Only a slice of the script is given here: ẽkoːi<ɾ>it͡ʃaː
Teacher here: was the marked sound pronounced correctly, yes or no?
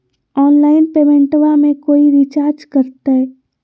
yes